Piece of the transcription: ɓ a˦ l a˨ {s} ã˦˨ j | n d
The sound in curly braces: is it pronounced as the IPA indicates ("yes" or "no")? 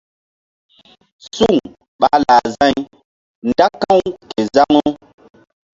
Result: no